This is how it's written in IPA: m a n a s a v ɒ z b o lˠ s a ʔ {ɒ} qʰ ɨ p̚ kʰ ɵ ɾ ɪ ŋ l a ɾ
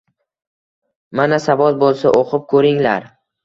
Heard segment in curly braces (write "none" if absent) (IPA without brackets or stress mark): o